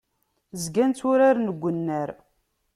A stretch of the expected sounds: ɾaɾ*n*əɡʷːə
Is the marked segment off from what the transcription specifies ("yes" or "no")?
no